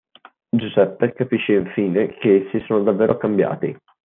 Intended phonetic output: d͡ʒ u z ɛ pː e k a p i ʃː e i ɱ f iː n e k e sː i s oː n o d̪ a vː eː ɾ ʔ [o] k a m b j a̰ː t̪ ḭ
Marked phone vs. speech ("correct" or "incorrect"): correct